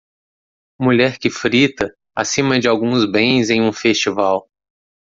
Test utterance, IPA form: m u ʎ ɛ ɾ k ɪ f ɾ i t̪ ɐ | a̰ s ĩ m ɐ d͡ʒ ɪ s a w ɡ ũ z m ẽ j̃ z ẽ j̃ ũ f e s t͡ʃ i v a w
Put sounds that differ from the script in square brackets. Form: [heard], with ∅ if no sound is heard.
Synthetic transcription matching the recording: m u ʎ ɛ ɾ k ɪ f ɾ i t̪ ɐ | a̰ s ĩ m ɐ d͡ʒ ɪ [∅] a w ɡ ũ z [b] ẽ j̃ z ẽ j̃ ũ f e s t͡ʃ i v a w